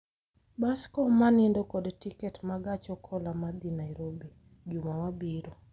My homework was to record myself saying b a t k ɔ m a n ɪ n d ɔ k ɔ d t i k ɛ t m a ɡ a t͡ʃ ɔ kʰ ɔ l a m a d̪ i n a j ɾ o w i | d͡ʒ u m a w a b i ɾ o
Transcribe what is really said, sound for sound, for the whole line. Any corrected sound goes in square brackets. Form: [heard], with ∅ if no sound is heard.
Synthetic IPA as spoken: b a [s] k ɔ m a n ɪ n d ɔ k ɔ d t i k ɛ t m a ɡ a t͡ʃ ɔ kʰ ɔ l a m a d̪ i n a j ɾ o [b] i | d͡ʒ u m a w a b i ɾ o